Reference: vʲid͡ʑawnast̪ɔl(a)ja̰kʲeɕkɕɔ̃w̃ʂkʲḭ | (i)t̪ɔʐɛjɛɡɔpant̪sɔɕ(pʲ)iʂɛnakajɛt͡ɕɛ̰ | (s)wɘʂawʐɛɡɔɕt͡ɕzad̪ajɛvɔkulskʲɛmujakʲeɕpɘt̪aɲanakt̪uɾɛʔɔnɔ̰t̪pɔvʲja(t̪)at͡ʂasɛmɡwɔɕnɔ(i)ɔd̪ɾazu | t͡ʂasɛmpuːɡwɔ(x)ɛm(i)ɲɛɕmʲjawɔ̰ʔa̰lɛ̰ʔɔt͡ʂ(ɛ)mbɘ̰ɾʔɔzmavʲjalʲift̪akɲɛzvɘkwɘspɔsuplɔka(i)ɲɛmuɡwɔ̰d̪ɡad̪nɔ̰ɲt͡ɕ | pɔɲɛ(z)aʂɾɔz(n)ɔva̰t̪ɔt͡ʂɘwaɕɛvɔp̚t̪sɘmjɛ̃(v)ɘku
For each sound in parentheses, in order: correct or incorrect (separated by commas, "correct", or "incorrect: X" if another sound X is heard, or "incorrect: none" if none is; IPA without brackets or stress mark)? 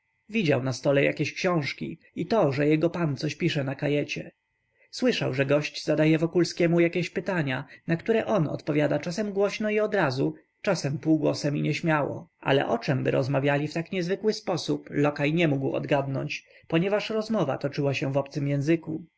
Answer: incorrect: ɛ, correct, correct, correct, incorrect: d̪, correct, incorrect: s, correct, correct, incorrect: j, incorrect: v, incorrect: m, incorrect: z